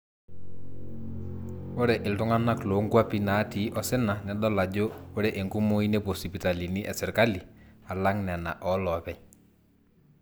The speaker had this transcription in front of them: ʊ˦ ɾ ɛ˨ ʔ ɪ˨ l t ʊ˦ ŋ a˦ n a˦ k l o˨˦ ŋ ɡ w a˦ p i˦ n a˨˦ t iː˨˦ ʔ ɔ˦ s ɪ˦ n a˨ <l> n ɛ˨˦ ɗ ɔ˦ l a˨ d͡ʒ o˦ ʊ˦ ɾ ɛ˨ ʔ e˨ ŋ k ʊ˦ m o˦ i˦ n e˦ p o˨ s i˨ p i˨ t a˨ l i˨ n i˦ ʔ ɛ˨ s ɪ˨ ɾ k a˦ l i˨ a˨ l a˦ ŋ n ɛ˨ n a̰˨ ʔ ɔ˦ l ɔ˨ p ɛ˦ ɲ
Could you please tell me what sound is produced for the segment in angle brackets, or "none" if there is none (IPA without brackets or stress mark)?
none